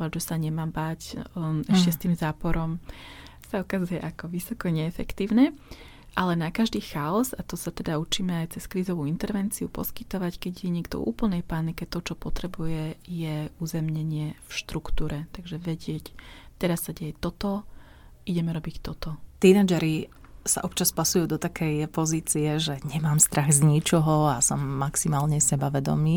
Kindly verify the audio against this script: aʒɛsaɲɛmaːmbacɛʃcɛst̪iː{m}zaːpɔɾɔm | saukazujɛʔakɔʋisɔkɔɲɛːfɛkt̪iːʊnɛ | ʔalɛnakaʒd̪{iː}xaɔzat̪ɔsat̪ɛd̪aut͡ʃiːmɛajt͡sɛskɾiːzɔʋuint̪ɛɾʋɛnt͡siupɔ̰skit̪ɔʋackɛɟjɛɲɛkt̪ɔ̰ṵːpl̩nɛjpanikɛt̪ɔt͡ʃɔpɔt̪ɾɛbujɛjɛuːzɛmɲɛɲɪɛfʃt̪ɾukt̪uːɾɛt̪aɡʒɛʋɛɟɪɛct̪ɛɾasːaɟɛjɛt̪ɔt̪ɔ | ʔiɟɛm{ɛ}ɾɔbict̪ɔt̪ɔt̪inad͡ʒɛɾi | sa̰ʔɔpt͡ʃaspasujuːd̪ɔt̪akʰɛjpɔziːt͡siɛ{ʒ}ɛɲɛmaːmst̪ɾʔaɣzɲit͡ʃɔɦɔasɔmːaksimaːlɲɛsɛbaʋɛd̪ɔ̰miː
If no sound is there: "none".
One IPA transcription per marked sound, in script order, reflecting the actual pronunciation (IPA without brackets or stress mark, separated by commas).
m, iː, ɛ, ʒ